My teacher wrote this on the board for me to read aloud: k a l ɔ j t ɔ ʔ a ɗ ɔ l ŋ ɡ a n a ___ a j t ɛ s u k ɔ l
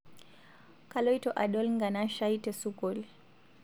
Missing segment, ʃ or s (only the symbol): ʃ